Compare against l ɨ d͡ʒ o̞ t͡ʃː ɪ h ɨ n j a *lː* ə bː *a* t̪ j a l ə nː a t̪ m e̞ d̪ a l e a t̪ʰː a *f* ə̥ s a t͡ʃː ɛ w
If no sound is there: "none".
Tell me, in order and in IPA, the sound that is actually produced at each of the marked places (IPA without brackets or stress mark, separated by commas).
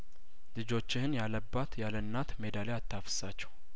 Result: l, a, f